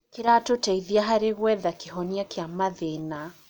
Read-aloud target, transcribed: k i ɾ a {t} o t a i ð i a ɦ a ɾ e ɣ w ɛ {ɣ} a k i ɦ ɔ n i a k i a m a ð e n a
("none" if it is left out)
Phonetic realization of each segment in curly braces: t, ð

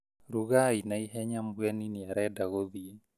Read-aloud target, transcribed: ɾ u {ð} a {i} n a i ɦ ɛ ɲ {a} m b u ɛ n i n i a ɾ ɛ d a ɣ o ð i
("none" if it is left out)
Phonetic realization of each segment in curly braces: ɣ, i, a

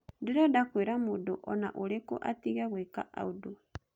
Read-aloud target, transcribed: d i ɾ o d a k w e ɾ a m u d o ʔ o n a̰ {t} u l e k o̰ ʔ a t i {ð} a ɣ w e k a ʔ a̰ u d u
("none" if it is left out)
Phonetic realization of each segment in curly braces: ʔ, ɣ

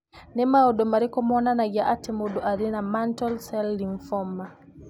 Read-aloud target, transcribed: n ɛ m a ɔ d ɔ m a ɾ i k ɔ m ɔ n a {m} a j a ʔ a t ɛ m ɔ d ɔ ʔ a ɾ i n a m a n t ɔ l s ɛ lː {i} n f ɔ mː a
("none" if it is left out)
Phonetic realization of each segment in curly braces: n, i

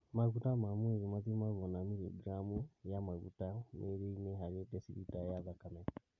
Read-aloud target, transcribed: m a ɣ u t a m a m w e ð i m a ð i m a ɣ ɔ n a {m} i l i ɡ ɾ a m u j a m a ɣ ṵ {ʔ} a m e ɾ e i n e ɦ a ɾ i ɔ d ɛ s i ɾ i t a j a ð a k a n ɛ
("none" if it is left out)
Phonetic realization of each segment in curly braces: m, t

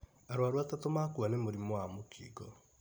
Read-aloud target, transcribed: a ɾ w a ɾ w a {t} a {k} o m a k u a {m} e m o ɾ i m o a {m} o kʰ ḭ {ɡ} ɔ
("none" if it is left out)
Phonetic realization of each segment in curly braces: t, t, n, m, ɡ

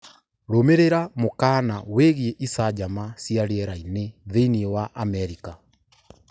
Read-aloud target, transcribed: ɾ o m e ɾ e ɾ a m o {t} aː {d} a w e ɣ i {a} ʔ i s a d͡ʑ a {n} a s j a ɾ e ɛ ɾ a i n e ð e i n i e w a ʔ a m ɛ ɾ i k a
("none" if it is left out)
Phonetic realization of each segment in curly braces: k, n, e, m

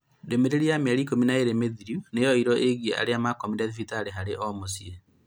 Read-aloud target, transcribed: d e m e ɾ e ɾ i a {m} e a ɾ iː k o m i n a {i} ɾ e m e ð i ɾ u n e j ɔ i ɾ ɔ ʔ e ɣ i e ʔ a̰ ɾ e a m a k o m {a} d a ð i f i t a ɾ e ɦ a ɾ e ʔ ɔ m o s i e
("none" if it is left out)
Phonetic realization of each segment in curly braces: m, e, i

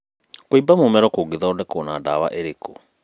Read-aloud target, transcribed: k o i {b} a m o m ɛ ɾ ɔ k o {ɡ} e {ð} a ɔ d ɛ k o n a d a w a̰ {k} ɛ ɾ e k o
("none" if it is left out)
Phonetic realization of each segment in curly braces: b, ɡ, ð, ʔ

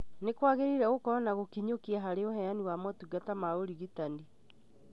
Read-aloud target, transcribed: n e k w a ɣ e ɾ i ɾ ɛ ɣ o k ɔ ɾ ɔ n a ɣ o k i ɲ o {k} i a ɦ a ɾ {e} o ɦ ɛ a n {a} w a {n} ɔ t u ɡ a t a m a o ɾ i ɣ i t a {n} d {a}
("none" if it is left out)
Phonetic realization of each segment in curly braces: k, e, i, m, n, i

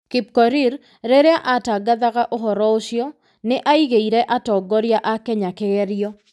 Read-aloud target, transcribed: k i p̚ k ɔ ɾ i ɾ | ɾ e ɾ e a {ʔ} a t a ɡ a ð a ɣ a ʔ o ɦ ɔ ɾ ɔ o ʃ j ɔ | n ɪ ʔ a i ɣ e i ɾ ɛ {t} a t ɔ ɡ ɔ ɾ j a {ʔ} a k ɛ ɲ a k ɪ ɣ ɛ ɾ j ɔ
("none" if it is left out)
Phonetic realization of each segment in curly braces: ʔ, ʔ, ʔ

